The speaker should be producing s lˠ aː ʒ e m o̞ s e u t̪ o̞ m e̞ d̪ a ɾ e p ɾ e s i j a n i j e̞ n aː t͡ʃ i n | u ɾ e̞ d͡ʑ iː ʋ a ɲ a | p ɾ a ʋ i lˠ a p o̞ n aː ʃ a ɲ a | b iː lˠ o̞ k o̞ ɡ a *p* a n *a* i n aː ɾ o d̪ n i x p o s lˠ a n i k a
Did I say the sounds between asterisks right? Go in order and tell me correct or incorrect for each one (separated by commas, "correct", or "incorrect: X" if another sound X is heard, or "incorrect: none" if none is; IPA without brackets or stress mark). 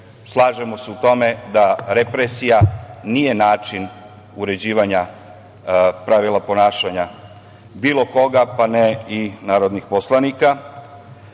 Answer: correct, incorrect: e